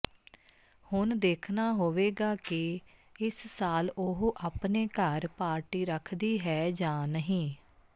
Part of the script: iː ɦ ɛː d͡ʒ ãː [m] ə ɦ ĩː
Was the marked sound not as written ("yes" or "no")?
yes